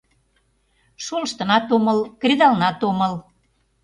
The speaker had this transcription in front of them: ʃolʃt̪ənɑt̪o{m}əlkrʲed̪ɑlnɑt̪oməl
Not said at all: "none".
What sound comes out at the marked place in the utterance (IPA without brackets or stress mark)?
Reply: m